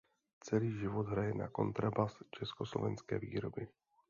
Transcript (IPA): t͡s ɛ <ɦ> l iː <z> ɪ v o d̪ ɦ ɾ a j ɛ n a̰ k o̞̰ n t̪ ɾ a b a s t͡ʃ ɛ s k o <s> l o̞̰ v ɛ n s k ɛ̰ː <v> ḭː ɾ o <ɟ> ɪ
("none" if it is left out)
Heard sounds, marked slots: none, ʒ, s, v, b

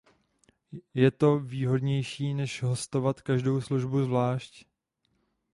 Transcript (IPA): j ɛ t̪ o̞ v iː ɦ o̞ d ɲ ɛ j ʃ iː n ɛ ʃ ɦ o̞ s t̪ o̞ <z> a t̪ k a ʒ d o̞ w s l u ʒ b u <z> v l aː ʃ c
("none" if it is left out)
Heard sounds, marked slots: v, z

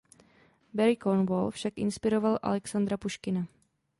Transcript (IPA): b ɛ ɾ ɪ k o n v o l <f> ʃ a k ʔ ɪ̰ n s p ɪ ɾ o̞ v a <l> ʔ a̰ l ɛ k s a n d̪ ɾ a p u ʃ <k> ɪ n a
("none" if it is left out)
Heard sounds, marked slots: f, l, k

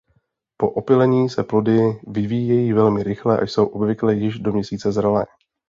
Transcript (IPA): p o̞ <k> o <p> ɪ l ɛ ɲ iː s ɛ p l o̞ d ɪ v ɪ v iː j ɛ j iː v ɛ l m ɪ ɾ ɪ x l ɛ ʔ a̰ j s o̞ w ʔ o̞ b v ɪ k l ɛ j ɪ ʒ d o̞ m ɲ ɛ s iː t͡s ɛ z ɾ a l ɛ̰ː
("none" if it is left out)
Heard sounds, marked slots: ʔ, p

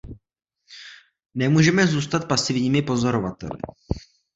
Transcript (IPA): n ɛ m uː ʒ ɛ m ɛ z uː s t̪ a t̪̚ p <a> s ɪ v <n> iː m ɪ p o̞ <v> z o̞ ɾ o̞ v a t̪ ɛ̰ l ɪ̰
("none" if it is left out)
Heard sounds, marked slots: a, ɲ, none

